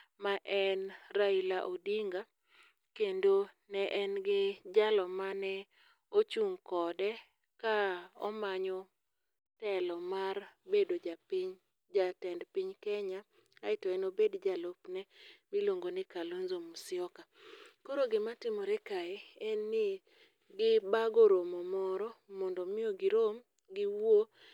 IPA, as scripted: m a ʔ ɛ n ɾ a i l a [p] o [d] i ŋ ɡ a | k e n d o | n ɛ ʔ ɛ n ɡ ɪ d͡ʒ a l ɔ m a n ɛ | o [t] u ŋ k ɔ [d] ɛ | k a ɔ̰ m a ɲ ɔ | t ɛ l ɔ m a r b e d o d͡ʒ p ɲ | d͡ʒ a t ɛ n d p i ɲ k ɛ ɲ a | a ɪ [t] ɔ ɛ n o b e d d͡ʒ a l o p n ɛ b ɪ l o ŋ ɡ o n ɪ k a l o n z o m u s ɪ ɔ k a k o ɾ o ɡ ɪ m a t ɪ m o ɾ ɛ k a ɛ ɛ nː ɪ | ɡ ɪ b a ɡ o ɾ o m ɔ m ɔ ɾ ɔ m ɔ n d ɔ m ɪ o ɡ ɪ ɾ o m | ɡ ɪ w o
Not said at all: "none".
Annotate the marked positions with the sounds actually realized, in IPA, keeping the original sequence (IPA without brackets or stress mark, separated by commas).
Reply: ʔ, d, t͡ʃ, d, t